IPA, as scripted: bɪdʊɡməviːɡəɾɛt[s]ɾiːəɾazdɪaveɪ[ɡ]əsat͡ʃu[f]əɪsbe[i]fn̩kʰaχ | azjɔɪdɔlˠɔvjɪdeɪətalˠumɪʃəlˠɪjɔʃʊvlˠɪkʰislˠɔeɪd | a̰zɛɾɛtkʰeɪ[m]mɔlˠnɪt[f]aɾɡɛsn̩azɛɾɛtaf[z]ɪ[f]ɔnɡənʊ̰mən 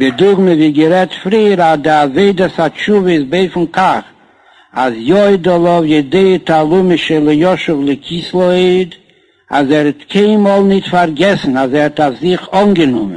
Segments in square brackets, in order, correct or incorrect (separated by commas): incorrect, incorrect, incorrect, incorrect, incorrect, correct, correct, incorrect